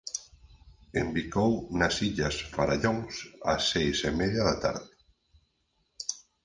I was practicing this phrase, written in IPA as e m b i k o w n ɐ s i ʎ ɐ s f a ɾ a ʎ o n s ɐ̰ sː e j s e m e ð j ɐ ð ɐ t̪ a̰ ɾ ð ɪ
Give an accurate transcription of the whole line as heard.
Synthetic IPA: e m b i k o w n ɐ s i ʎ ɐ s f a ɾ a ʎ o ŋ s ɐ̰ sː e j s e m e ð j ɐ ð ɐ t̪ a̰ ɾ ð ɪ